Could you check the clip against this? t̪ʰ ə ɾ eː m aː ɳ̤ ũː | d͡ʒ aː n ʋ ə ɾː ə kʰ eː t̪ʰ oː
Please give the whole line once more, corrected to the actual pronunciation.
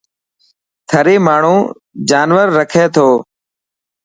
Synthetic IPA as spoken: t̪ʰ ə ɾ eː m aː ɳ̤ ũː | d͡ʒ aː n ʋ ə ɾː ə kʰ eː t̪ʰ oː